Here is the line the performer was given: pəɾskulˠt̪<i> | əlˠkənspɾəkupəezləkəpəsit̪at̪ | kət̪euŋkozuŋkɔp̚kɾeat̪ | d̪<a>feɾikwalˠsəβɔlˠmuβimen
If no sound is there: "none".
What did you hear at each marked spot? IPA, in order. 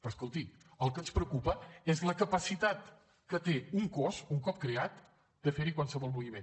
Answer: i, ə

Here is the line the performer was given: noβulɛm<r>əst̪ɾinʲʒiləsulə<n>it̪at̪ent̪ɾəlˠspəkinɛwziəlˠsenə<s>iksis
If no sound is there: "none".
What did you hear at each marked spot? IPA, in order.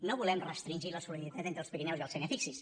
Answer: r, n, f

